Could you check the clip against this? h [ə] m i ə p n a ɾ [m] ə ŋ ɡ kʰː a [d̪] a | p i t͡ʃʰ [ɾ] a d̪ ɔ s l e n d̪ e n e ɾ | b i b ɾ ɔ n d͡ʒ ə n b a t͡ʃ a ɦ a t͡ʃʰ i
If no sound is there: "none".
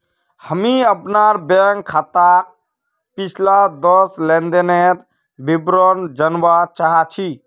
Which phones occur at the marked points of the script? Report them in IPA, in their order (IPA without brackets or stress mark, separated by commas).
ə, b, t̪, l